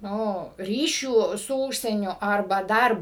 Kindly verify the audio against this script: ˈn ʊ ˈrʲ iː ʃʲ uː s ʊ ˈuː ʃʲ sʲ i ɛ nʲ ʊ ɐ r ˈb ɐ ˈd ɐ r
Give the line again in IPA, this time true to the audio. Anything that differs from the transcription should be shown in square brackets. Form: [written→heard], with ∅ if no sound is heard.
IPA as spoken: ˈn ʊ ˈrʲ iː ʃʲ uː s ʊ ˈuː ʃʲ sʲ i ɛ nʲ ʊ ɐ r ˈb ɐ ˈd ɐ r